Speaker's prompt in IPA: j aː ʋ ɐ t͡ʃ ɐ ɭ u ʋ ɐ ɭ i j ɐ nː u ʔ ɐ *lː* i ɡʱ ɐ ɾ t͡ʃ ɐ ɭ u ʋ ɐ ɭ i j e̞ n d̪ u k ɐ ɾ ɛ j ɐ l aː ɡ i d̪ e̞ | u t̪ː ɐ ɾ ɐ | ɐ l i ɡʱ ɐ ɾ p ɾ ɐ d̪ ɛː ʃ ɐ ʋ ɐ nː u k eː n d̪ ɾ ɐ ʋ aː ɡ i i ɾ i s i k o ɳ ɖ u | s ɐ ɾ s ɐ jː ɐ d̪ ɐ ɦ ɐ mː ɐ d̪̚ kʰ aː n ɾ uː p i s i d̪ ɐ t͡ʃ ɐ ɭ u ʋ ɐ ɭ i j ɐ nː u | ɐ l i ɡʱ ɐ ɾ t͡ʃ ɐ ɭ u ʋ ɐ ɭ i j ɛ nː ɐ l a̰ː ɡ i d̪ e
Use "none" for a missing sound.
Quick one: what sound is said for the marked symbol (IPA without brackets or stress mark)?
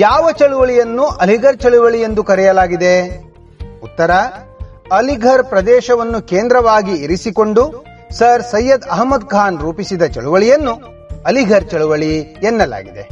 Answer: l